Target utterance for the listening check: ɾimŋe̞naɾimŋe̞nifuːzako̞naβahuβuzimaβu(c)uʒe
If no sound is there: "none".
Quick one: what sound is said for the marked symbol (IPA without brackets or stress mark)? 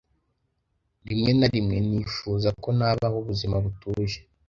t